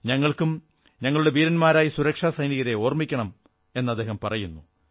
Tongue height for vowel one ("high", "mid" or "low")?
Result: low